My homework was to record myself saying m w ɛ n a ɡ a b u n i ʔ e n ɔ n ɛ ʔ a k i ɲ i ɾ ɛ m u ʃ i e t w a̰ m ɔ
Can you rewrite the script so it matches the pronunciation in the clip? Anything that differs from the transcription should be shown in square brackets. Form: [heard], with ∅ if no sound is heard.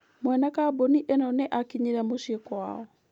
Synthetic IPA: m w ɛ n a [k] a b [o] n i ʔ e n ɔ n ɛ ʔ a k i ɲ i ɾ ɛ m [o] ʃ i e [k] w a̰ [∅] ɔ